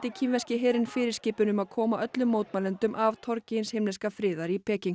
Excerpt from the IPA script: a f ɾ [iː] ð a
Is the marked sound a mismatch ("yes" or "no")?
yes